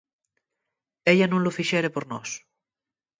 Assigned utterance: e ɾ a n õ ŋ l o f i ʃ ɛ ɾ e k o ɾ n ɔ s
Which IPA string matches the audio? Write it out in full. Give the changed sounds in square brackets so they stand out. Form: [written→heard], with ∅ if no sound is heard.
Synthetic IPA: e [ɾ→ʎ] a n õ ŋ l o f i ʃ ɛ ɾ e [k→p] o ɾ n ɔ s